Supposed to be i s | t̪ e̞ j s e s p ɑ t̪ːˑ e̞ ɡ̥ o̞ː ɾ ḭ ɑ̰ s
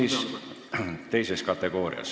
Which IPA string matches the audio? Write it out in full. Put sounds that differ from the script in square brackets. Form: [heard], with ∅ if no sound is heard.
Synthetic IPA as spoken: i s | t̪ e̞ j s e s [k] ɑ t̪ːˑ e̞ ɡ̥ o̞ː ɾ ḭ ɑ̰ s